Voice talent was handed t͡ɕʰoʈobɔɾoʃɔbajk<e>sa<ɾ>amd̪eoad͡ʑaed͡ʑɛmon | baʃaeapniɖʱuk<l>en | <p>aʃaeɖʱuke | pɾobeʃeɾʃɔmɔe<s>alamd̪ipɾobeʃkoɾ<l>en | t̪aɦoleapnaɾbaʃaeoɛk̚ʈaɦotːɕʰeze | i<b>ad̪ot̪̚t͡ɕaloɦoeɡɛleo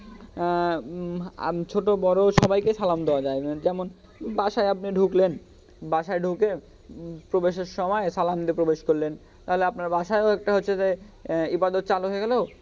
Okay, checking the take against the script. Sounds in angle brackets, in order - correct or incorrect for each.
correct, incorrect, correct, incorrect, correct, correct, correct

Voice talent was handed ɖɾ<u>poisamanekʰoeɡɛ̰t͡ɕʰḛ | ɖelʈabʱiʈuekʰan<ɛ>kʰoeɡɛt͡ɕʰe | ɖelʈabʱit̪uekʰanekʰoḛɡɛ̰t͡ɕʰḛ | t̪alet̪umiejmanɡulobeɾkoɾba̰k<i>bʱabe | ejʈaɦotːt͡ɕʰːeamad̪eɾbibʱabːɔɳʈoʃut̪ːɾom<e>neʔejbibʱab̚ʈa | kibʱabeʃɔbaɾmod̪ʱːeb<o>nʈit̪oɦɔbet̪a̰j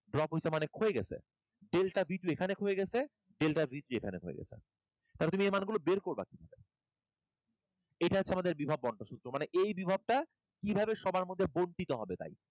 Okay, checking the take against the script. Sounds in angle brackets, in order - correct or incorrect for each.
incorrect, incorrect, correct, incorrect, correct

